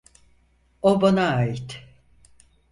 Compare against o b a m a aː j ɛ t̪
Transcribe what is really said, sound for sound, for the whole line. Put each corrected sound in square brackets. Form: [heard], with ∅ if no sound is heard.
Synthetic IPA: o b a [n] a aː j [i] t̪

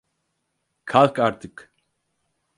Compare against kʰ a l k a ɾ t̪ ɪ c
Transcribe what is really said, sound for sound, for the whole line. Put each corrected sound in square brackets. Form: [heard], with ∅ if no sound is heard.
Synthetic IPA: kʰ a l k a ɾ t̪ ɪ [k]

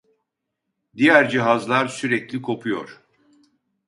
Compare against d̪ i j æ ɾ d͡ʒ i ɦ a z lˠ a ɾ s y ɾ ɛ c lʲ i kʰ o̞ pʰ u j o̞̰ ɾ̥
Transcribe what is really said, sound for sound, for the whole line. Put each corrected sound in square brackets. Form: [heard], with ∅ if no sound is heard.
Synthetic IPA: d̪ i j æ ɾ d͡ʒ i ɦ a z lˠ a ɾ s y ɾ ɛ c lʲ i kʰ o̞ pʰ u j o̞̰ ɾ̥

